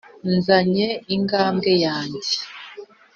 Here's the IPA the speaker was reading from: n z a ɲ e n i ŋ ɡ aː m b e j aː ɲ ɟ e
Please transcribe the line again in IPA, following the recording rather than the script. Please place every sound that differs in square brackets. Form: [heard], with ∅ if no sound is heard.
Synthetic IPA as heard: n z a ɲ e [∅] i ŋ ɡ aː m [ɡ] e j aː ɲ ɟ e